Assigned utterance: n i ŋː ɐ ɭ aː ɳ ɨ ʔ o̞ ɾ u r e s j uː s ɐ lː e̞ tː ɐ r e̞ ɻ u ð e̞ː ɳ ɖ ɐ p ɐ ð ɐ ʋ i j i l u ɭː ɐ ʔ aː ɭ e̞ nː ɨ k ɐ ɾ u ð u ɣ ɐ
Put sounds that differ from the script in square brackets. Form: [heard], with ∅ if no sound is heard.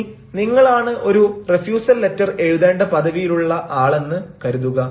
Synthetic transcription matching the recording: n i ŋː ɐ ɭ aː ɳ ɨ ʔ o̞ ɾ u r e [f] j uː s ɐ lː e̞ tː ɐ r e̞ ɻ u ð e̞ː ɳ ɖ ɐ p ɐ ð ɐ ʋ i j i l u ɭː ɐ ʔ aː ɭ e̞ nː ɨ k ɐ ɾ u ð u ɣ ɐ